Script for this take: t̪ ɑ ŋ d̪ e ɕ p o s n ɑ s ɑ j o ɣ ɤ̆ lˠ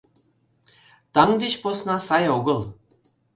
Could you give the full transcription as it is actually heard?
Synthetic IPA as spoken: t̪ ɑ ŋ d̪ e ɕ p o s n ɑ s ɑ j o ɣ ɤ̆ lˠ